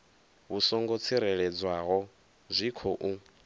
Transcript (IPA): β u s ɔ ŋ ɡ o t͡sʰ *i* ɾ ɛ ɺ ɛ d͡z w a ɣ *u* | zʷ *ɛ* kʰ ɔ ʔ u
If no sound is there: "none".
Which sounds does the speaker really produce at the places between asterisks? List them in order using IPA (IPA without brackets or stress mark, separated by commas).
i, ɔ, i